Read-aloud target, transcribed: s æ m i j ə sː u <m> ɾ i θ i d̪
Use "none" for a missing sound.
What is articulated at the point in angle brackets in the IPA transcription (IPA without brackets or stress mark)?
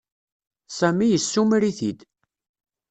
m